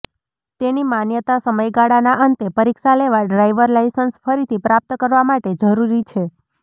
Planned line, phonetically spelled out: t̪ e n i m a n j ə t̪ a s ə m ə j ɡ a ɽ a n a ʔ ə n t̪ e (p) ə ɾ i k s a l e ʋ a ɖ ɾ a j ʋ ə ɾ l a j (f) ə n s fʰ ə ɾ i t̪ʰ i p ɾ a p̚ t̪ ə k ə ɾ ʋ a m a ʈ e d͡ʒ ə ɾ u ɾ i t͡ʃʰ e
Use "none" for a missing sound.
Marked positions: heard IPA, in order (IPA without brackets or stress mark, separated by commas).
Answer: p, s